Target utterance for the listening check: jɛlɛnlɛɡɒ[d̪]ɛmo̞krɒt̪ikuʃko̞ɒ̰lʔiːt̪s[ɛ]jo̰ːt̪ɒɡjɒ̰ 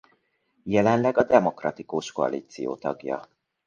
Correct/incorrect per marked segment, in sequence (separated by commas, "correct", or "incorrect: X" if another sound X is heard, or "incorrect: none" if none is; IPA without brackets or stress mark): correct, incorrect: i